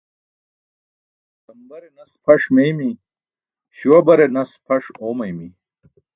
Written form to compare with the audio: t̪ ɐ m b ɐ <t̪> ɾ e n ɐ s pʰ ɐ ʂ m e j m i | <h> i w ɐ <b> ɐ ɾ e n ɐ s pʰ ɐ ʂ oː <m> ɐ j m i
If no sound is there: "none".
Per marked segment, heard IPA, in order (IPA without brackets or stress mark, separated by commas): none, ɕ, b, m